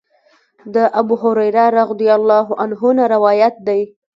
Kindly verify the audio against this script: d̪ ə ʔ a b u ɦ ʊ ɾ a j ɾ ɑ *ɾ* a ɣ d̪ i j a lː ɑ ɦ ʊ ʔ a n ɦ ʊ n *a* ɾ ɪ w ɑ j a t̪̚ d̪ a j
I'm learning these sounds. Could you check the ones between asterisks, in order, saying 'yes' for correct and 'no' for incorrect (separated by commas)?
yes, yes